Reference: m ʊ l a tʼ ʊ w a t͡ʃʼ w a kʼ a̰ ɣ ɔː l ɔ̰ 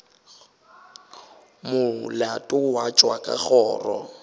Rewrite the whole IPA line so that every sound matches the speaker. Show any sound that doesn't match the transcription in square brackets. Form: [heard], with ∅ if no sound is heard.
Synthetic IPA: m ʊ l a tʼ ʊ w a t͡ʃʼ w a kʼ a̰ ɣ ɔː [r] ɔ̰